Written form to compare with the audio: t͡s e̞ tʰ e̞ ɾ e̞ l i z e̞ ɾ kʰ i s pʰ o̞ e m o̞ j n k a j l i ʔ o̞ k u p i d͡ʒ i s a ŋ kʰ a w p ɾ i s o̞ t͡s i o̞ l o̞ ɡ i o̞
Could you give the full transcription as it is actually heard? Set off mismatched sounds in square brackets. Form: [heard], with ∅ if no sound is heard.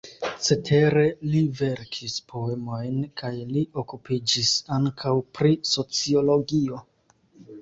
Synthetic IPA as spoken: t͡s e̞ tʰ e̞ ɾ e̞ l i [v] e̞ ɾ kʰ i s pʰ o̞ e m o̞ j n k a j l i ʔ o̞ k u p i d͡ʒ i s a ŋ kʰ a w p ɾ i s o̞ t͡s i o̞ l o̞ ɡ i o̞